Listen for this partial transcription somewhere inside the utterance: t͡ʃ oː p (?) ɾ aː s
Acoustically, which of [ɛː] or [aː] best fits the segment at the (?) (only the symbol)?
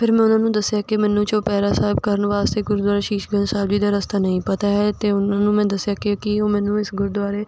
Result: ɛː